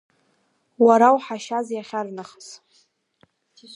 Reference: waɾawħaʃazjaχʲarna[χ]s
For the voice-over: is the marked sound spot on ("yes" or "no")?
yes